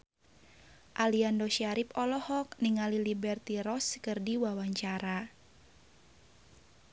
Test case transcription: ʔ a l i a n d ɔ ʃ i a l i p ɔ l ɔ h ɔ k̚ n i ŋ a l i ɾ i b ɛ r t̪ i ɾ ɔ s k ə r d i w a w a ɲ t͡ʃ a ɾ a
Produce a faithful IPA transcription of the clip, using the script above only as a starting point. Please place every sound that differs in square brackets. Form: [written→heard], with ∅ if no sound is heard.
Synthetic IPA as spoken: ʔ a l i a n d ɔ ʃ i a [l→ɾ] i p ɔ l ɔ h ɔ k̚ n i ŋ a l i [ɾ→l] i b ɛ r t̪ i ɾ ɔ s k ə r d i w a w a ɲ t͡ʃ a ɾ a